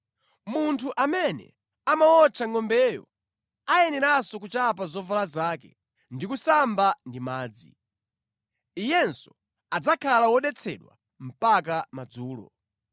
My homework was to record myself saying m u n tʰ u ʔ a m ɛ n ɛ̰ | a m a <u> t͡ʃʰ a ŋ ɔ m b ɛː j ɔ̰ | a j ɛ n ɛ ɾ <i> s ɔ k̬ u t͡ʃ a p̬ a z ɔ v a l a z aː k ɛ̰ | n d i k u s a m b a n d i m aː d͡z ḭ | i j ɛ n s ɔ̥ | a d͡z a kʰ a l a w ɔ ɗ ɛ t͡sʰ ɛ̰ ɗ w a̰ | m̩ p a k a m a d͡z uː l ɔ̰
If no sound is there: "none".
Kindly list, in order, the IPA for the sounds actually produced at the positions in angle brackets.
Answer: ɔ, a

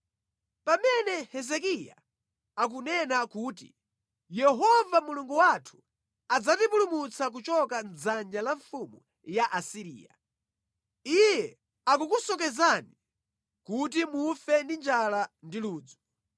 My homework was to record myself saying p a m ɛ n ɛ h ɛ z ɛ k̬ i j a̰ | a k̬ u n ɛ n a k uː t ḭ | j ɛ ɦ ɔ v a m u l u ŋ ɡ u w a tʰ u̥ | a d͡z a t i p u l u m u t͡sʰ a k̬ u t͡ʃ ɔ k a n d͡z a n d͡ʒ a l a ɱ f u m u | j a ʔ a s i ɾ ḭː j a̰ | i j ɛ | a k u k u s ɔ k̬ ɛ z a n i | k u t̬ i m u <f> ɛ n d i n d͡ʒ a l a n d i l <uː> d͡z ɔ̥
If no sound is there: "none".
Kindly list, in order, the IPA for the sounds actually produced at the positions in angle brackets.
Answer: f, uː

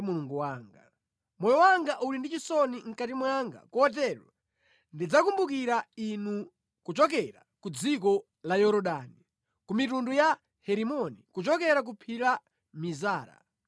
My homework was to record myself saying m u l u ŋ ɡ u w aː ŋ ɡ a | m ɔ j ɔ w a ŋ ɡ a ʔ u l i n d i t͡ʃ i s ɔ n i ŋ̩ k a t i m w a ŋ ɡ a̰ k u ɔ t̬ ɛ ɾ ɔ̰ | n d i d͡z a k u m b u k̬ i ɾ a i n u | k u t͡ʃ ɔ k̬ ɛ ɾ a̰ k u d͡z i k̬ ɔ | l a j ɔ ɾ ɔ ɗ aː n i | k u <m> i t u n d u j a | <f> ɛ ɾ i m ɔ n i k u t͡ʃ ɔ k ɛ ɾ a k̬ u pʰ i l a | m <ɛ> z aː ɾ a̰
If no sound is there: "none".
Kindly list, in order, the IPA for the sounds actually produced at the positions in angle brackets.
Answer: m, h, i

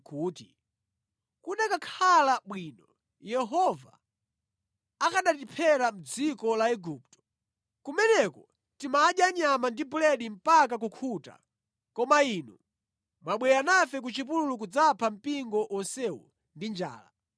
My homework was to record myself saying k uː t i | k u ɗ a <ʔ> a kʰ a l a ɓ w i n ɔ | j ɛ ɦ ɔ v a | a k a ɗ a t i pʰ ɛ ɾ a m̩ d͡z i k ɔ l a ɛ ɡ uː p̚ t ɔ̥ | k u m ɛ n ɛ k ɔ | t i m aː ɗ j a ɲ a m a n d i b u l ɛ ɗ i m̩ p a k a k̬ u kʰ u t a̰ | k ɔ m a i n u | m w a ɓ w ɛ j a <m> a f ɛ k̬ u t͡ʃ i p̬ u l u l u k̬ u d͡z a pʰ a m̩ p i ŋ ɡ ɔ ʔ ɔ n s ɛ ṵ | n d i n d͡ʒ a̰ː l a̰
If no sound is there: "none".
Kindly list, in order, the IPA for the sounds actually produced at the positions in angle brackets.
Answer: k, n

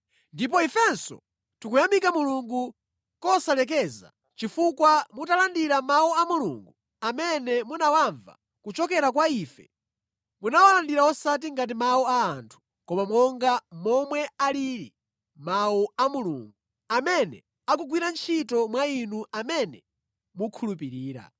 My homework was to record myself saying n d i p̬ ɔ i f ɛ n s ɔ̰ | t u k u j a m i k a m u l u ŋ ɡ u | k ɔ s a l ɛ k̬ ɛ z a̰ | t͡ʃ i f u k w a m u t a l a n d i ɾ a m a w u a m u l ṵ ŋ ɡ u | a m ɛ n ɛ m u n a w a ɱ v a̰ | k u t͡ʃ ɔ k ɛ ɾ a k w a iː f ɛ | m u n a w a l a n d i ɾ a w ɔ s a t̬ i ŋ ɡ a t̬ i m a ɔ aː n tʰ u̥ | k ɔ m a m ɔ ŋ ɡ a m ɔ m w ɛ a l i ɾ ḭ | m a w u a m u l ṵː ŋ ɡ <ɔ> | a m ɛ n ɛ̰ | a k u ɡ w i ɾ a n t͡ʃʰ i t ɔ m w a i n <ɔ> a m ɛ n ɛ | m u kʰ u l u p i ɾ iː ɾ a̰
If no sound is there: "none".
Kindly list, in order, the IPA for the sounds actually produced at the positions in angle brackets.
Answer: u, u

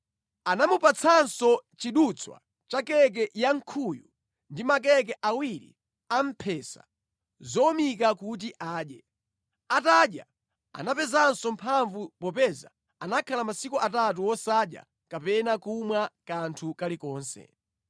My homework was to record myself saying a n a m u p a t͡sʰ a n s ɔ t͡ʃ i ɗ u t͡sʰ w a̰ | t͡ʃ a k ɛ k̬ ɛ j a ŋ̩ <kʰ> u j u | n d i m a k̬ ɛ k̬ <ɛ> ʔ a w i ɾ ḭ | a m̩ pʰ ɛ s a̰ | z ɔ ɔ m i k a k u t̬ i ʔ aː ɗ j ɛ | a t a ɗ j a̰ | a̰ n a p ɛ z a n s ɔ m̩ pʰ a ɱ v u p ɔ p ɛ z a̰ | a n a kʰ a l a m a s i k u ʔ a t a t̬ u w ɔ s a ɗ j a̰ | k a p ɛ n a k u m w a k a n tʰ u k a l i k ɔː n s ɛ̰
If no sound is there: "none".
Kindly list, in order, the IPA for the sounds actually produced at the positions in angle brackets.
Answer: kʰ, ɛ

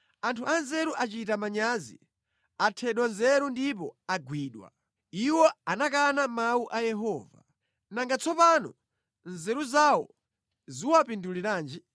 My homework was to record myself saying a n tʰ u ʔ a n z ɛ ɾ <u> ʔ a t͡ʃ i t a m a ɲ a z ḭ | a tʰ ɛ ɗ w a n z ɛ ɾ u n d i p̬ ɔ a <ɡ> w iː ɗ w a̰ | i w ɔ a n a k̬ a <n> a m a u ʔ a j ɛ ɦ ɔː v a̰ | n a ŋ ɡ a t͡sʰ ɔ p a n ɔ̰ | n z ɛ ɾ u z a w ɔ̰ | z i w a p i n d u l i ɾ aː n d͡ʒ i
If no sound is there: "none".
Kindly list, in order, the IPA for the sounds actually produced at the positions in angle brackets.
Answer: u, ɡ, n

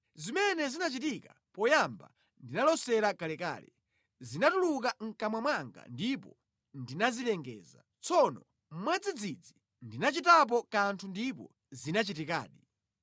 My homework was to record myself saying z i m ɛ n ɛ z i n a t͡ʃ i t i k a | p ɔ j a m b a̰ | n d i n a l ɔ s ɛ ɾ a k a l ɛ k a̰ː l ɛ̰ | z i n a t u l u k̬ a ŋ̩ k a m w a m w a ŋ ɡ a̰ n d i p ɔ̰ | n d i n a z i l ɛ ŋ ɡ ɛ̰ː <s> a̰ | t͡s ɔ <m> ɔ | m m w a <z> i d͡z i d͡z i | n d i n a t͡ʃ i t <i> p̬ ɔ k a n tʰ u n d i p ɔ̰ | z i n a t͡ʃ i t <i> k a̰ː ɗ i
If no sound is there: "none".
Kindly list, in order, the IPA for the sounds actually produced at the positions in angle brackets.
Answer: z, n, d͡z, a, i

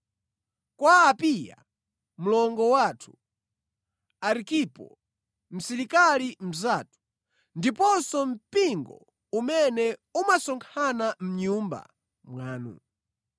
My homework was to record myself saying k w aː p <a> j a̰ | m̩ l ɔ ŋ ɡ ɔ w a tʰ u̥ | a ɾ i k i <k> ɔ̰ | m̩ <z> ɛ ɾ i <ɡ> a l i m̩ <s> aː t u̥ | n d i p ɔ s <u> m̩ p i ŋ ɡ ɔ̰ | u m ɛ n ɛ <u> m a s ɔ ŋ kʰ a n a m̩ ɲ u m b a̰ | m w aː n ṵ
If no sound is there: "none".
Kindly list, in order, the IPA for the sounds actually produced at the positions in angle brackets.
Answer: i, p, s, k, z, ɔ, u

